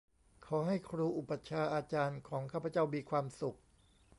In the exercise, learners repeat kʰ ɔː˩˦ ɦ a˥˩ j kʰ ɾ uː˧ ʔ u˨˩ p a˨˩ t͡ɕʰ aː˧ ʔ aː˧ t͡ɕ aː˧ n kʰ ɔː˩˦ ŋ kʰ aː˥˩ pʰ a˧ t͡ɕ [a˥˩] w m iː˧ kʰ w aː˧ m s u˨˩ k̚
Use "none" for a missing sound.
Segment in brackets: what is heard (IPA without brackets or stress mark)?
a˥˩